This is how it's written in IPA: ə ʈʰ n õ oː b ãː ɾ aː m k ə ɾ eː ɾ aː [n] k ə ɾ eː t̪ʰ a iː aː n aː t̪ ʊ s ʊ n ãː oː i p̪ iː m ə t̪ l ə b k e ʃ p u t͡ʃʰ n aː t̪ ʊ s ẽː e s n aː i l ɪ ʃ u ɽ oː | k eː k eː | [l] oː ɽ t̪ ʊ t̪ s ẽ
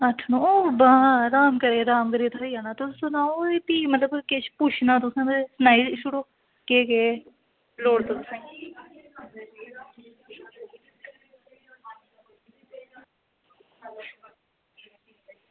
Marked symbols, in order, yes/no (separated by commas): no, yes